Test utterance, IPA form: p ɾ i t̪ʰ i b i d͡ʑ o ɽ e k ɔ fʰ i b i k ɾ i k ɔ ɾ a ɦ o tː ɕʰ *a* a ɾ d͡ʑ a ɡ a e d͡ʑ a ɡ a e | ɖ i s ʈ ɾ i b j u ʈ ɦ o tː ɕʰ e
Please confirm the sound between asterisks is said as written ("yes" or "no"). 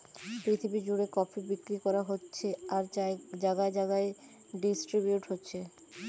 no